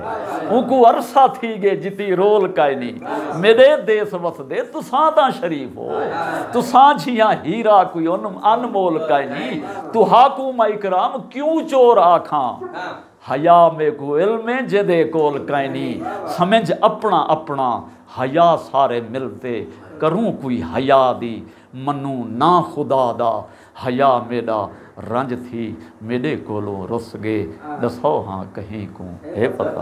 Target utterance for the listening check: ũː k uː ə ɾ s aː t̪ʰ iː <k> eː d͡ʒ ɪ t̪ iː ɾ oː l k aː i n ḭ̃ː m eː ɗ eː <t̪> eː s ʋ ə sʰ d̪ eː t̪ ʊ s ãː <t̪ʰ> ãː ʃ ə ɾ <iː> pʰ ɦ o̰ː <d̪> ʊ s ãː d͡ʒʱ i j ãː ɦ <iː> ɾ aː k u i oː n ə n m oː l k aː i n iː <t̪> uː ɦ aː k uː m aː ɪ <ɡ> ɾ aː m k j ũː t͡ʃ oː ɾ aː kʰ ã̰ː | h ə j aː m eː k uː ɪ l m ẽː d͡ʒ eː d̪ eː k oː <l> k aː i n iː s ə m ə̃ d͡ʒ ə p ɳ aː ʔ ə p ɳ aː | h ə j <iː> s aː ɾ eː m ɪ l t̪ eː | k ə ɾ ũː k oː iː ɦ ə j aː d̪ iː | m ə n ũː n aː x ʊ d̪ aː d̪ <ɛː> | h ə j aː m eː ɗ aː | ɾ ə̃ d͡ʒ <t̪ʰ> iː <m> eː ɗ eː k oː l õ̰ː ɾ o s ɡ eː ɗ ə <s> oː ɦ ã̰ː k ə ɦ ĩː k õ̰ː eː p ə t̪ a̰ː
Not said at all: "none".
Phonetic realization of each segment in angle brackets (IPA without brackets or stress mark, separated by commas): ɡ, d̪, t̪, iː, t̪, iː, t̪, k, l, aː, aː, t̪ʰ, m, s